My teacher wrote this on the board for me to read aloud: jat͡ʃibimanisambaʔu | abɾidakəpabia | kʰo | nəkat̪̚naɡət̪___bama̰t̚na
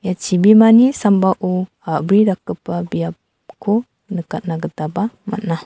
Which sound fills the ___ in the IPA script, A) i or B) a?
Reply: B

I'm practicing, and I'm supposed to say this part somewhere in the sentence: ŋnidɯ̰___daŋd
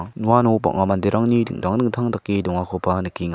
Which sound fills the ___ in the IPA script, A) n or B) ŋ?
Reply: B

